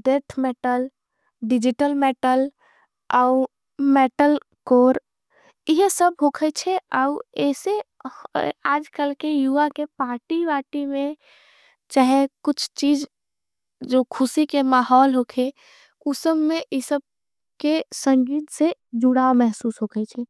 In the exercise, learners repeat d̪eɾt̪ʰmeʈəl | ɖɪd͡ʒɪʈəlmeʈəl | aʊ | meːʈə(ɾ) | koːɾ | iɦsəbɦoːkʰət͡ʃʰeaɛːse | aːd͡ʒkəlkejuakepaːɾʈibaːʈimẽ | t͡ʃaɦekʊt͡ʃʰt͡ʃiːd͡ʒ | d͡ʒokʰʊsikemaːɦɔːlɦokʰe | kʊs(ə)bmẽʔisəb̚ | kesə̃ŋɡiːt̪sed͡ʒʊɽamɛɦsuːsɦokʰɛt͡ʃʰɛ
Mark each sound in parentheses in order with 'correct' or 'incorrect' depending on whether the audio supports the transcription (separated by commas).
incorrect, correct